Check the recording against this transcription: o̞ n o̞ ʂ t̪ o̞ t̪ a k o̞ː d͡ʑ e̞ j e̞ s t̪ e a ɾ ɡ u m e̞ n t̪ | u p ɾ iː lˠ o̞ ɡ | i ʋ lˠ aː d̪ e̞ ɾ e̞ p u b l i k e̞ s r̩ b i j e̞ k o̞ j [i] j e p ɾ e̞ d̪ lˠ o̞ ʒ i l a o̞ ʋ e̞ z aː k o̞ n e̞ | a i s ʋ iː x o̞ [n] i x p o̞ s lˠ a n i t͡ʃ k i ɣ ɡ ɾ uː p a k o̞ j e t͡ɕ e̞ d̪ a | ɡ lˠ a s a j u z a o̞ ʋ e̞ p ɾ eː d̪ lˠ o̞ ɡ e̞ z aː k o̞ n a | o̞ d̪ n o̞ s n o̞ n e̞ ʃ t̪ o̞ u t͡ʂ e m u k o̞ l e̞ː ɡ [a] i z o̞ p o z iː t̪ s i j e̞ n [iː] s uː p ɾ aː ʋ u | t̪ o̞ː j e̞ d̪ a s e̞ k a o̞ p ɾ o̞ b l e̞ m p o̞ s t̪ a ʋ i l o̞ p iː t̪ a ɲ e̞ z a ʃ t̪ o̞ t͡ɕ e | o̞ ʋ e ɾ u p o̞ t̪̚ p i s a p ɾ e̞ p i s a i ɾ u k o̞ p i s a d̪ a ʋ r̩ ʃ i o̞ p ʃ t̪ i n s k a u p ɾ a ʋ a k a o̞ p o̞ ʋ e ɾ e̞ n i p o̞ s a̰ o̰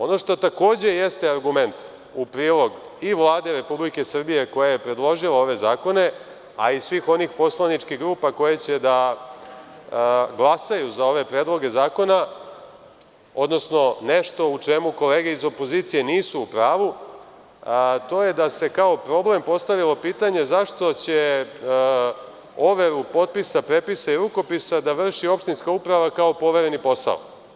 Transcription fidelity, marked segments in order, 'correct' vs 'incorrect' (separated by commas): incorrect, correct, incorrect, correct